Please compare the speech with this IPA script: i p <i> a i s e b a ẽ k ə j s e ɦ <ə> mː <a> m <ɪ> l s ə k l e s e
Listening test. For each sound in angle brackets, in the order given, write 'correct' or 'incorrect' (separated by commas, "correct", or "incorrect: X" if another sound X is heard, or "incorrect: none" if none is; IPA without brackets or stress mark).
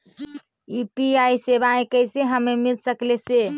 correct, correct, incorrect: e, incorrect: i